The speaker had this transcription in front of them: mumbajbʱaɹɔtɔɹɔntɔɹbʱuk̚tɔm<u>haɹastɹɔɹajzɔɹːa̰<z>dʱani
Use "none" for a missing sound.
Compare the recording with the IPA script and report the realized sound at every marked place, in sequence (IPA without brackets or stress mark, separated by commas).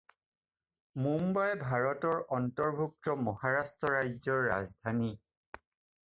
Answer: ɔ, z